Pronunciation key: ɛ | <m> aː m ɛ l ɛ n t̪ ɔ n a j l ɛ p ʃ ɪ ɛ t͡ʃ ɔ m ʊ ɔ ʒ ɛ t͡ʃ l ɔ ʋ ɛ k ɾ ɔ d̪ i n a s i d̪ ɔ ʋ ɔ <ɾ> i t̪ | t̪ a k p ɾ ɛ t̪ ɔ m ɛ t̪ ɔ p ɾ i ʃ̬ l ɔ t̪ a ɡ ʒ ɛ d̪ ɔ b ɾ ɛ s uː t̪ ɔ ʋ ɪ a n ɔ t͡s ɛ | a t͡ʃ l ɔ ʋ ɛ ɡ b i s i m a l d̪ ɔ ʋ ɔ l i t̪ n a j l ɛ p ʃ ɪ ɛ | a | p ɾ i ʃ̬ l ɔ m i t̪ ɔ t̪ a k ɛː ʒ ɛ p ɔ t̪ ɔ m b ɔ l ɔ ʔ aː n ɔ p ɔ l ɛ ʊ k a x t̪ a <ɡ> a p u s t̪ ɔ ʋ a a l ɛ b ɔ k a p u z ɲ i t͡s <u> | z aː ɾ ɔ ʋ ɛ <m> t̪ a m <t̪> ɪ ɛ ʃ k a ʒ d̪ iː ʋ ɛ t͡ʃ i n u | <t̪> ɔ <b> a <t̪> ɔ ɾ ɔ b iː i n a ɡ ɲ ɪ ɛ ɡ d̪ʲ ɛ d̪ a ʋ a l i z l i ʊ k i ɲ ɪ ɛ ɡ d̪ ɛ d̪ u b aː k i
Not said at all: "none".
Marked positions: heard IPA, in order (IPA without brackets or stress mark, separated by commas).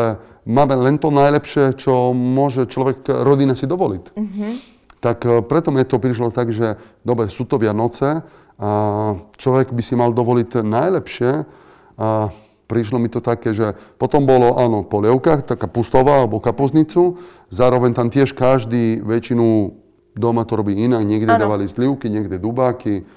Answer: m, l, k, u, ɲ, t̪, d̪, m, t̪